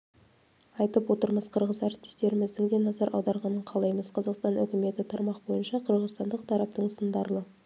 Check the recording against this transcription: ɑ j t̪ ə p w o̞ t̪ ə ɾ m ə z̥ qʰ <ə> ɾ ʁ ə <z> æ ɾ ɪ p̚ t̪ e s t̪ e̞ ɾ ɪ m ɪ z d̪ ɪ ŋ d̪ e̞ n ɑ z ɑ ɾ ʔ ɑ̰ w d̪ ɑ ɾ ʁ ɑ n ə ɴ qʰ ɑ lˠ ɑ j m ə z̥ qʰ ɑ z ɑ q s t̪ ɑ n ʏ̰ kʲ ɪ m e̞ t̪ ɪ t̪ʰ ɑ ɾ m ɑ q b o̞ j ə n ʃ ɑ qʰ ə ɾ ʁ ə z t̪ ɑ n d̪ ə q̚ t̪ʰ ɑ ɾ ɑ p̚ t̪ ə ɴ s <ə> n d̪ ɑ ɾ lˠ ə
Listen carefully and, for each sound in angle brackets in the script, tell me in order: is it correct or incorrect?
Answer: correct, correct, correct

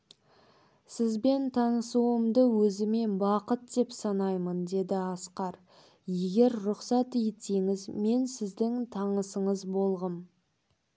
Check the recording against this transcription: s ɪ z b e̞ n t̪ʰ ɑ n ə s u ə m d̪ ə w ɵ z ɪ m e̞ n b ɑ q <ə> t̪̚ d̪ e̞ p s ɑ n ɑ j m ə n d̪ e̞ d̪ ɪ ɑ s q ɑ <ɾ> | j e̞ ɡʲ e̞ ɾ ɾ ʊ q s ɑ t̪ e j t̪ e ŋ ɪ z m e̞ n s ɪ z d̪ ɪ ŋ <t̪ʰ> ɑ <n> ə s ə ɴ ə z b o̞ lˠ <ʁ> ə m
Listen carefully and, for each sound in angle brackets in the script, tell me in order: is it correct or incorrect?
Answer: correct, correct, correct, incorrect: ɴ, correct

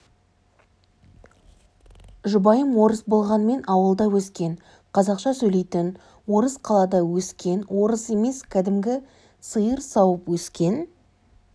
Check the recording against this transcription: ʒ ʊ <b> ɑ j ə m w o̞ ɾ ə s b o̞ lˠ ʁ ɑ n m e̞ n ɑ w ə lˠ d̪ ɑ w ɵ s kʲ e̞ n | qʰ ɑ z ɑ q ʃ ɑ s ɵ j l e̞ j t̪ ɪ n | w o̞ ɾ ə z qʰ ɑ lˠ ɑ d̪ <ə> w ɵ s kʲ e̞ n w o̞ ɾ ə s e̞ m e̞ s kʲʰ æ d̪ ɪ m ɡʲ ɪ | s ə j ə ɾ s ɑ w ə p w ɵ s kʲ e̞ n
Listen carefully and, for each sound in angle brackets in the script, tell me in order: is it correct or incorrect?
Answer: correct, incorrect: ɑ

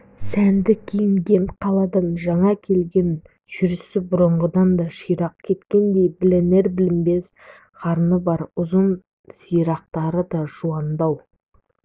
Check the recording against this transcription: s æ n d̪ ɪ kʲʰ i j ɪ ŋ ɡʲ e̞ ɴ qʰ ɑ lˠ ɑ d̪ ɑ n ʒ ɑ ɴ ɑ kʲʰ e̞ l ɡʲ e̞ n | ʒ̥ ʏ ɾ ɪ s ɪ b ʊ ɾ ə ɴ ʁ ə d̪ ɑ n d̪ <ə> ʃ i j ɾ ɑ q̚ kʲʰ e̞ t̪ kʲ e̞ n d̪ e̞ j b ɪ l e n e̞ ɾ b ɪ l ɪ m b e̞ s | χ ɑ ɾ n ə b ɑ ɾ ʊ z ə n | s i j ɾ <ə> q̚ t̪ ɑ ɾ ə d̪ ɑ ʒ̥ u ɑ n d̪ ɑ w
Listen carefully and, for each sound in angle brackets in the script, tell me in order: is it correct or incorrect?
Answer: incorrect: ɑ, incorrect: ɑ

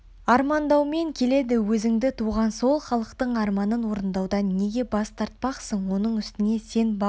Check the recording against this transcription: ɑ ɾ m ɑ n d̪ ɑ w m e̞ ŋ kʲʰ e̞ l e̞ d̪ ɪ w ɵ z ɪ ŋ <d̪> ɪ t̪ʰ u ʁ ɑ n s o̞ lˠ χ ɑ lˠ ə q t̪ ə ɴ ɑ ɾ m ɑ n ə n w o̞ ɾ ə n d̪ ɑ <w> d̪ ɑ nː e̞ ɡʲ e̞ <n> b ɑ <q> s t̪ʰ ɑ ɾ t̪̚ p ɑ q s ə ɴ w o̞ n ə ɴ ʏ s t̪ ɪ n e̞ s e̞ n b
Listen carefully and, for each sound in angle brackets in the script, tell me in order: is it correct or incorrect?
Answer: correct, correct, incorrect: none, incorrect: none

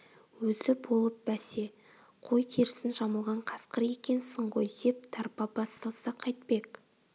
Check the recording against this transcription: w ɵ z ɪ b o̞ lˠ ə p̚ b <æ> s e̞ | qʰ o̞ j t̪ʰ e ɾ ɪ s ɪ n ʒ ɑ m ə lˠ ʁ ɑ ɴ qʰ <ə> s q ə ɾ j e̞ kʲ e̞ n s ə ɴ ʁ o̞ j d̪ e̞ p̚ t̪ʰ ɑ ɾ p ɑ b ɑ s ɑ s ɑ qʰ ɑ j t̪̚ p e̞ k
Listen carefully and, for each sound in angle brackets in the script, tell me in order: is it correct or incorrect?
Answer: correct, incorrect: ɑ

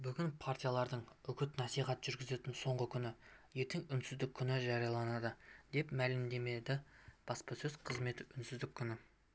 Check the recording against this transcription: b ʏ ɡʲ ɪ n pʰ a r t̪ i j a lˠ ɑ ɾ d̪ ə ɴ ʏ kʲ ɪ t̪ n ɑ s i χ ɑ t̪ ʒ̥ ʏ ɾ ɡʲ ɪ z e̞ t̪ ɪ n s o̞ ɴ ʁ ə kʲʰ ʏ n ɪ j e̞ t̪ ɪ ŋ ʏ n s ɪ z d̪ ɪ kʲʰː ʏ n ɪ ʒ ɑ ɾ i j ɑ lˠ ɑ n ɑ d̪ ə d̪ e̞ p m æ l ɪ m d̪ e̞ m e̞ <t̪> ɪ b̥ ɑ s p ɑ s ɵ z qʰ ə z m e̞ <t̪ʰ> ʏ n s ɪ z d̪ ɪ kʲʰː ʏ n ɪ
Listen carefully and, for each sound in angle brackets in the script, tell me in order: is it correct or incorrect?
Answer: incorrect: d̪, incorrect: t̪

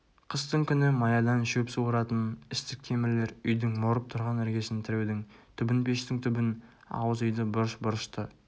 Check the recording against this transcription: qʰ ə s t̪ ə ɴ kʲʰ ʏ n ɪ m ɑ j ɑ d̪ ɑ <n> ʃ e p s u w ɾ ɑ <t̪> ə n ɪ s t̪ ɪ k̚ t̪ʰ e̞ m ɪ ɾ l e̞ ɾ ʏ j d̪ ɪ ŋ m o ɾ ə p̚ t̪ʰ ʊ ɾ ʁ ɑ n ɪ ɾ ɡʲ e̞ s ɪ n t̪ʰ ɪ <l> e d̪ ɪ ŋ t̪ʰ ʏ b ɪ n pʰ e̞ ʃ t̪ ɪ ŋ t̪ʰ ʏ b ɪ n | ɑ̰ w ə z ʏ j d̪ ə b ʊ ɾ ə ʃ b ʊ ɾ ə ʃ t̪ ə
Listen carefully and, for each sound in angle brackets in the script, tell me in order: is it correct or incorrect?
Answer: correct, correct, incorrect: ɾ

